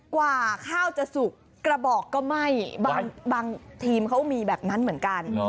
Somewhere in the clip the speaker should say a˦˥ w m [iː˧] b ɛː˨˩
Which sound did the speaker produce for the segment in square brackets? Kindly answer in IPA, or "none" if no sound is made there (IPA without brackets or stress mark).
iː˧